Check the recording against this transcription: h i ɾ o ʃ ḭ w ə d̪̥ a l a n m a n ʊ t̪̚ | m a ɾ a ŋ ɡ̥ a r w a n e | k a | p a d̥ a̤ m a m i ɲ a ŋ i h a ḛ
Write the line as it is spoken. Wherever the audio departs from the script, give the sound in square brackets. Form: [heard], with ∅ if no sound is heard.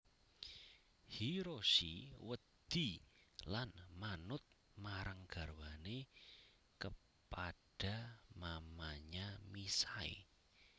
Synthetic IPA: h i ɾ o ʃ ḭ w ə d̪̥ [i] l a n m a n ʊ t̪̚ | m a ɾ a ŋ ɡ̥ a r w a n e | k [ə] | p a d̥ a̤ m a m [a] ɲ a [m] i [s] a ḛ